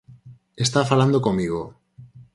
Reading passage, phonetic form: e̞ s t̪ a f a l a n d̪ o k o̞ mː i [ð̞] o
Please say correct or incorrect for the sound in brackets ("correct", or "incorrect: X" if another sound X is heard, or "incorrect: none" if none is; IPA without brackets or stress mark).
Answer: incorrect: ɣ̞